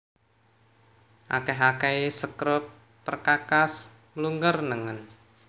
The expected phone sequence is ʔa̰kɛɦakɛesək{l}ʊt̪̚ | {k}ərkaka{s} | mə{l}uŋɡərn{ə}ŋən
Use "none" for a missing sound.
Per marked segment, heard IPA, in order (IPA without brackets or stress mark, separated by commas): ɾ, p, s, l, ə